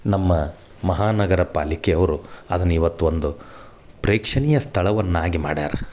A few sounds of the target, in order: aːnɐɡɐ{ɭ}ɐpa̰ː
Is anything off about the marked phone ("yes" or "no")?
yes